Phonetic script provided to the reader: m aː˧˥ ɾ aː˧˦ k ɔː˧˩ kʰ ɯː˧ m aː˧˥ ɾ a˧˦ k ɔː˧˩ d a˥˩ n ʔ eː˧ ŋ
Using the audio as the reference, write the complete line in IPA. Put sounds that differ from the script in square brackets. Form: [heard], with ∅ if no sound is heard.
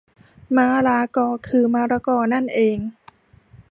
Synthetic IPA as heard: m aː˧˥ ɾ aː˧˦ k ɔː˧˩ kʰ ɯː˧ m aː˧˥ ɾ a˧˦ k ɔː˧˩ [n] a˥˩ n ʔ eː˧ ŋ